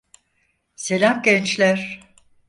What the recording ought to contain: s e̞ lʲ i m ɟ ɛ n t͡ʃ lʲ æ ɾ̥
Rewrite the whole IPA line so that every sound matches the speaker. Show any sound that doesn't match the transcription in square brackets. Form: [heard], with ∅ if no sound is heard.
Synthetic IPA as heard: s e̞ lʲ [a] m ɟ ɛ n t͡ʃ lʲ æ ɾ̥